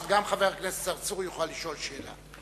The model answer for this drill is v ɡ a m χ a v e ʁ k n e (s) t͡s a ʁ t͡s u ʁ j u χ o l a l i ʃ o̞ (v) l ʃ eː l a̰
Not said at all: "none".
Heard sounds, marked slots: s, none

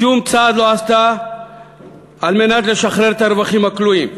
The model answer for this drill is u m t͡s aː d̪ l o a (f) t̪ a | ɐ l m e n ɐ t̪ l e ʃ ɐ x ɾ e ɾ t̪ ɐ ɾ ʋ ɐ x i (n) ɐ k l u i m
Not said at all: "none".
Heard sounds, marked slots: s, m

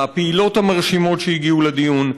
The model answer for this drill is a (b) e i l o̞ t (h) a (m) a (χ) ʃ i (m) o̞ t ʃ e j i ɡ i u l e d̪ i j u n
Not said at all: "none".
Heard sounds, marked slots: p, h, m, ʁ, m

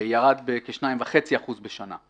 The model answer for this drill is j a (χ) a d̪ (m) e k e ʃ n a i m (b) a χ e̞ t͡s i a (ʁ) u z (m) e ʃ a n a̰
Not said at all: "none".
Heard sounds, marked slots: ʁ, b, v, χ, b

